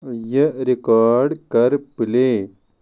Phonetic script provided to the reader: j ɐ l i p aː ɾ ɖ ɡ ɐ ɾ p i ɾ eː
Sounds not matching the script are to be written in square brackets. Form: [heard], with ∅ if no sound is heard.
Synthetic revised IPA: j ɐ [ɾ] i [k] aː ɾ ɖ [k] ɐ ɾ p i [l] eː